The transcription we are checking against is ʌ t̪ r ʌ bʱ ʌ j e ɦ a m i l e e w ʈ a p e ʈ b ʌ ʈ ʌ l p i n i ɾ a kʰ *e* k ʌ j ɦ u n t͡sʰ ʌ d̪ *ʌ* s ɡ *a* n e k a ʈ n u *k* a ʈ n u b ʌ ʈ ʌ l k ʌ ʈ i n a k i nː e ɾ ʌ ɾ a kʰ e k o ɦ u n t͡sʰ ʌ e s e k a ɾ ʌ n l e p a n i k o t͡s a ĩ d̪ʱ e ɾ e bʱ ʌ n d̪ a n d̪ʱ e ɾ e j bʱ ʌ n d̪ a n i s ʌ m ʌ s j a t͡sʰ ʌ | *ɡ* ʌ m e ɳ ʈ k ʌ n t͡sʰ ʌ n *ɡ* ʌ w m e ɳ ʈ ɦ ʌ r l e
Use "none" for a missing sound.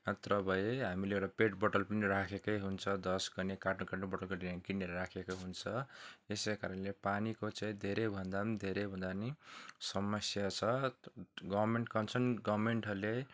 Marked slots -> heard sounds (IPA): e, ʌ, ʌ, k, ɡ, ɡ

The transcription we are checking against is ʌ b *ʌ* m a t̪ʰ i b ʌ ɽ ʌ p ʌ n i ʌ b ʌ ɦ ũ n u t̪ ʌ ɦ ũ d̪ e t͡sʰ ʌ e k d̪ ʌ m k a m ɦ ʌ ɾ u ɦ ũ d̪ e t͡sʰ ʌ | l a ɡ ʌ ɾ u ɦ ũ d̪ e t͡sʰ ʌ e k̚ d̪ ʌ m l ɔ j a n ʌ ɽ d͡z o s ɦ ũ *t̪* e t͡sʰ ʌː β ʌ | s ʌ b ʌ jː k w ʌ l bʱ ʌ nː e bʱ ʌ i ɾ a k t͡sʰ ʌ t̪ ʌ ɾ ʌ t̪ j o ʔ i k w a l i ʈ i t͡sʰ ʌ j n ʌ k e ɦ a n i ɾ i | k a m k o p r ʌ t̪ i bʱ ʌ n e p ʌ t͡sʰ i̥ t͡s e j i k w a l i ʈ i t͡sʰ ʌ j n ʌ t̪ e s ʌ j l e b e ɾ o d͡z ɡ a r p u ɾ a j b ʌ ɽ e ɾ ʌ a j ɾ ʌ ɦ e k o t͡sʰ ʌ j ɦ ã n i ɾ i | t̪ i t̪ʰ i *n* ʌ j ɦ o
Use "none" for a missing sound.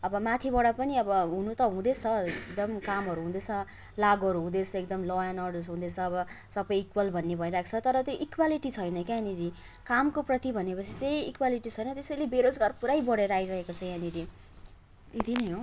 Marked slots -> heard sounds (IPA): ʌ, d̪, n

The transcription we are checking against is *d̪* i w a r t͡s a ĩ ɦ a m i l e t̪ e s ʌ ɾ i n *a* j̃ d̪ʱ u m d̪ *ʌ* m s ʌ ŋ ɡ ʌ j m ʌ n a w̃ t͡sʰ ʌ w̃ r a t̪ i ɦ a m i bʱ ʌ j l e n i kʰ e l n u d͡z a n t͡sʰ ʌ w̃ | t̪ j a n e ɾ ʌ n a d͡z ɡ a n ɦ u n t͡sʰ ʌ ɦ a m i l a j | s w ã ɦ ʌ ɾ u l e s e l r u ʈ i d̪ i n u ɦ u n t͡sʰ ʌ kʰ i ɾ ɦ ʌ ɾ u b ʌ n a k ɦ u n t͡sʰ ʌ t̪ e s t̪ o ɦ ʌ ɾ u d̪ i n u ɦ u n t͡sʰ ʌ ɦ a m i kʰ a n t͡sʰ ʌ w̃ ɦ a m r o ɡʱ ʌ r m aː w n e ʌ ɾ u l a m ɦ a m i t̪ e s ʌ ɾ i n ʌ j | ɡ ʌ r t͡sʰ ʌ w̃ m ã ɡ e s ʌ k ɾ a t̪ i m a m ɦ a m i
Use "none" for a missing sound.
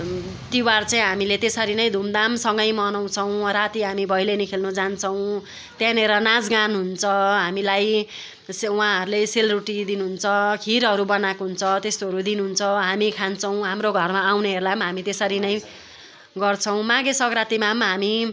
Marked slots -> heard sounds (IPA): t̪, ʌ, a

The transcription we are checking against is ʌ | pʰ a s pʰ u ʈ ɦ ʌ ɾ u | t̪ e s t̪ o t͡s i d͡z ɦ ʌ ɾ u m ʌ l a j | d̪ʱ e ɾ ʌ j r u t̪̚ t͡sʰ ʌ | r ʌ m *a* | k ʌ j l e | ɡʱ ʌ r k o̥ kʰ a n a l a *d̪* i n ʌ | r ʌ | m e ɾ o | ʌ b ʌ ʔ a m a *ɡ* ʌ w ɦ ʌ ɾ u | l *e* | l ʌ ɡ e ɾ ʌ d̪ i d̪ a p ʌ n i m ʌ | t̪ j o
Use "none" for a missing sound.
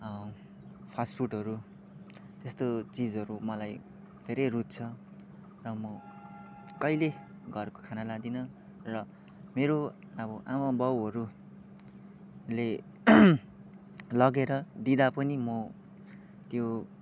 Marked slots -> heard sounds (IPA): ʌ, d̪, b, e

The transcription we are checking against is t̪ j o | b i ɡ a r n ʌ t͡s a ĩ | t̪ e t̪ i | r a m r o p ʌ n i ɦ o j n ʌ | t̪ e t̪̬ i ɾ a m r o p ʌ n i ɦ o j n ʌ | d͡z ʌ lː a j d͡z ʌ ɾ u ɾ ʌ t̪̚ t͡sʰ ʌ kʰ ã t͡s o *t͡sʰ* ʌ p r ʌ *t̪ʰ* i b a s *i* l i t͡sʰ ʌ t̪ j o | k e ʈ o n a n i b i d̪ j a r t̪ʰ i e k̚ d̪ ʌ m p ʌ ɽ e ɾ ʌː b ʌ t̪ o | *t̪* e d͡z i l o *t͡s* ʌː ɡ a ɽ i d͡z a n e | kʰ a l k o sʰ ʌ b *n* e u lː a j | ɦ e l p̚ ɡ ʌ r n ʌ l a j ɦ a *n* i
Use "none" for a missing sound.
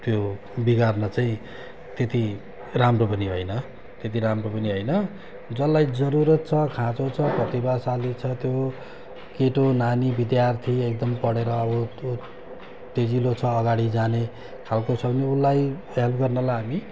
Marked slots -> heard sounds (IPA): t͡sʰ, t̪, a, t̪, t͡sʰ, n, m

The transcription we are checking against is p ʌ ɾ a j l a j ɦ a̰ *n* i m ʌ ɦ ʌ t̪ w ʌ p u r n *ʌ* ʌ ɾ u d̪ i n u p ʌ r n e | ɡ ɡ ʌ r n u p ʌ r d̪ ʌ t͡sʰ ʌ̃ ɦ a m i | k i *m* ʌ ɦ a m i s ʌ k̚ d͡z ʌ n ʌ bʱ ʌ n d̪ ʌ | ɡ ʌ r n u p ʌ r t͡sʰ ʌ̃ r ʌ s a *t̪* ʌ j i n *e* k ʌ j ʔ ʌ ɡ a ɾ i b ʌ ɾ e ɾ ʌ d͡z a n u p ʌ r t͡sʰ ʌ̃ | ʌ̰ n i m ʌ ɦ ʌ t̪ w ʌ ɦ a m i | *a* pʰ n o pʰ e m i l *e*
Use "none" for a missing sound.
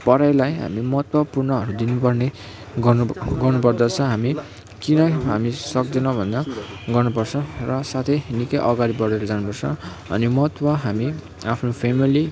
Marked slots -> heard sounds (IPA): m, ʌ, n, t̪ʰ, i, a, i

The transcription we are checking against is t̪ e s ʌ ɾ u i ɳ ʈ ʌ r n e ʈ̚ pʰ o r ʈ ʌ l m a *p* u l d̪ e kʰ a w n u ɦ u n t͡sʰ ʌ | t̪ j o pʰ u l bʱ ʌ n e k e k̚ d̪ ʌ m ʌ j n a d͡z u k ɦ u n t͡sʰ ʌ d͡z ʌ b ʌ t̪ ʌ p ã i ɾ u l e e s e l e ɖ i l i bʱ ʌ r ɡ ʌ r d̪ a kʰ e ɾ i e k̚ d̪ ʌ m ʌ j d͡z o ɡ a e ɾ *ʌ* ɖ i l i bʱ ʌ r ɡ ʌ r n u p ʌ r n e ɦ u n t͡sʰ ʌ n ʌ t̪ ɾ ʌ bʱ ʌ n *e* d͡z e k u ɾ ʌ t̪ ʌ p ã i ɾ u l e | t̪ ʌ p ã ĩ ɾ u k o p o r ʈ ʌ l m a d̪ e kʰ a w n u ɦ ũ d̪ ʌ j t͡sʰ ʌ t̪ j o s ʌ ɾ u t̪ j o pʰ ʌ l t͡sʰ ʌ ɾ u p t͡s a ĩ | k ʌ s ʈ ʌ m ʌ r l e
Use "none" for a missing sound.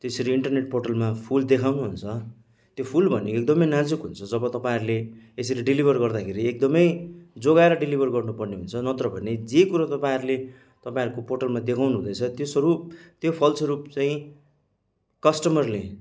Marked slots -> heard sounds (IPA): pʰ, ʌ, e

